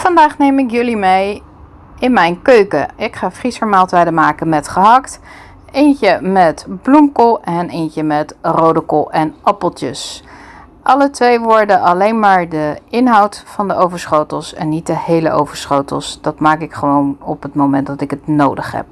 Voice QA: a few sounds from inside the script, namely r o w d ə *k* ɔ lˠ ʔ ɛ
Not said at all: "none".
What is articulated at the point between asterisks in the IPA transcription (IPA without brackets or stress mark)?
k